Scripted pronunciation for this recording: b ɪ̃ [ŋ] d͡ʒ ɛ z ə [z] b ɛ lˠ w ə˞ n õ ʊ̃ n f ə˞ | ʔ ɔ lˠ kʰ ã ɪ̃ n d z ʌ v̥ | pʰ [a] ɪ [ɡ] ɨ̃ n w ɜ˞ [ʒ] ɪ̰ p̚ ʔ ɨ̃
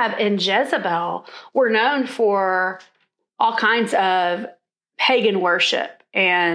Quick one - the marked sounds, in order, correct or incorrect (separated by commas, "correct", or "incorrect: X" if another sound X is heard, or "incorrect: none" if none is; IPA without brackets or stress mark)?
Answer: incorrect: n, incorrect: none, incorrect: e, correct, incorrect: ʃ